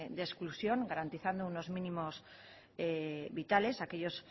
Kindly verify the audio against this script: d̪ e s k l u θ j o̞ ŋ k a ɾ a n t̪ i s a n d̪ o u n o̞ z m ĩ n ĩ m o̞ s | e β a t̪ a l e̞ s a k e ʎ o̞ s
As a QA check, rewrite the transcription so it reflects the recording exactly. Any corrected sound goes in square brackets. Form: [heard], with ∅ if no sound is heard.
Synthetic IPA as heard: d̪ e s k l u [s] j o̞ ŋ [ɡ] a ɾ a n t̪ i [θ] a n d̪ o u n o̞ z m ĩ n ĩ m o̞ s | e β [i] t̪ a l e̞ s a k e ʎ o̞ s